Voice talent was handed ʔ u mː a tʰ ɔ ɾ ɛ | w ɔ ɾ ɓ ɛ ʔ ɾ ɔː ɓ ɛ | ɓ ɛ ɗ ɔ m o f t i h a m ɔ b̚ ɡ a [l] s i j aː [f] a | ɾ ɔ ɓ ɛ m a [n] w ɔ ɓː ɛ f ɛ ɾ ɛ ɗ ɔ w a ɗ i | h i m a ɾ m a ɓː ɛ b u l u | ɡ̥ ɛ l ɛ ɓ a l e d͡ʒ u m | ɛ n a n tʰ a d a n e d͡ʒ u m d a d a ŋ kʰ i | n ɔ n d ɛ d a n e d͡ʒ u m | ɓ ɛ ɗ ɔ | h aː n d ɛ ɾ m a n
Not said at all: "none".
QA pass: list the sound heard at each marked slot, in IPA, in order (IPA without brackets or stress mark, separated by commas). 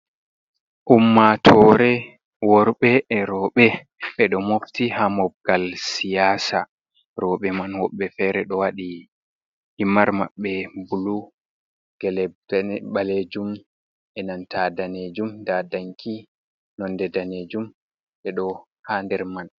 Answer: l, s, n